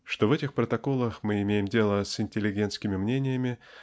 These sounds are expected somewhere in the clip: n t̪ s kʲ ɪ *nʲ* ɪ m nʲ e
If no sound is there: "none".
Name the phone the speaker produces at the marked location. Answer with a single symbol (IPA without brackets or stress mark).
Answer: mʲ